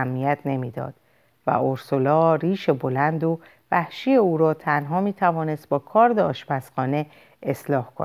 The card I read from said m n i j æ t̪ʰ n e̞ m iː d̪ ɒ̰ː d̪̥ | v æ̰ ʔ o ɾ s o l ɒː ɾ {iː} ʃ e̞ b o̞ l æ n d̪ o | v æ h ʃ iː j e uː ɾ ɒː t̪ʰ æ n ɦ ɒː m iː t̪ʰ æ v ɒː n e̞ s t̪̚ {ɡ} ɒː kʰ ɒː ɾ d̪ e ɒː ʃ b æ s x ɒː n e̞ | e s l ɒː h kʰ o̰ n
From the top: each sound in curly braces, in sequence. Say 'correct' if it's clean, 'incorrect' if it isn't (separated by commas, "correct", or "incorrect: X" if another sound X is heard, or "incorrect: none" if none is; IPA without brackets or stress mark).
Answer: correct, incorrect: b